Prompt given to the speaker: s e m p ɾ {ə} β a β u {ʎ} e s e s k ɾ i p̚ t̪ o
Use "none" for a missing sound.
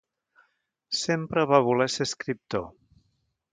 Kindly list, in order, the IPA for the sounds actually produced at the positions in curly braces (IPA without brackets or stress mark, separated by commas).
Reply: ə, l